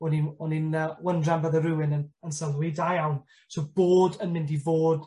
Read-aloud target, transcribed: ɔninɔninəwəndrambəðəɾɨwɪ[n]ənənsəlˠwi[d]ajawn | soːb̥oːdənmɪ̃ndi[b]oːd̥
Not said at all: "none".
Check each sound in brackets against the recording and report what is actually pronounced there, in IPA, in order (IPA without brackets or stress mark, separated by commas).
n, d, v